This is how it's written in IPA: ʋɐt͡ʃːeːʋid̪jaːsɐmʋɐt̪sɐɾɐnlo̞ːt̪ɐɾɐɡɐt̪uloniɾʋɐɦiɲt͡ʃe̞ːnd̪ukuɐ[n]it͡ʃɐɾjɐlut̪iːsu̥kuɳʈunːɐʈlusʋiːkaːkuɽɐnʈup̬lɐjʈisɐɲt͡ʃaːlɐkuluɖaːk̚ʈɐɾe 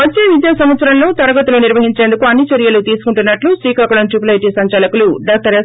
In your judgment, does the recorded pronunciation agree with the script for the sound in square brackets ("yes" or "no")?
no